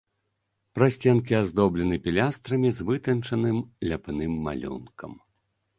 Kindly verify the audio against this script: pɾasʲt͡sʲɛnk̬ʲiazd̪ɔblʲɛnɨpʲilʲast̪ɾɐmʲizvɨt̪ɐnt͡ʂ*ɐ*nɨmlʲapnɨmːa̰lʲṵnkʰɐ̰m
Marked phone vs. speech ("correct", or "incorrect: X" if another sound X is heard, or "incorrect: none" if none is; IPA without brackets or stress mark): correct